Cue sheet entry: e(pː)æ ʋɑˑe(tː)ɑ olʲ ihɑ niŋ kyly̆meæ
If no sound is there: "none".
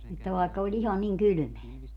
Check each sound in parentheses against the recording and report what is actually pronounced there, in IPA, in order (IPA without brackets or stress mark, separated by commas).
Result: tː, kː